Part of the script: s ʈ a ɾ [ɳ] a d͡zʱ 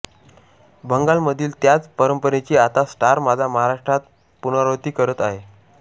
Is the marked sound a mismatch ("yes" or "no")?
yes